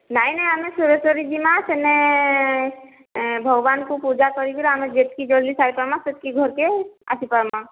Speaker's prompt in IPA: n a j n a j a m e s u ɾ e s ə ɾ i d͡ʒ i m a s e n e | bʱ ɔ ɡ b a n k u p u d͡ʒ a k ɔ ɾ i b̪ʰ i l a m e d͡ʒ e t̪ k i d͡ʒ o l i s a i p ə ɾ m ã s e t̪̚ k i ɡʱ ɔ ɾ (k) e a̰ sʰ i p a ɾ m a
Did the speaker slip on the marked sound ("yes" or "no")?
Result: no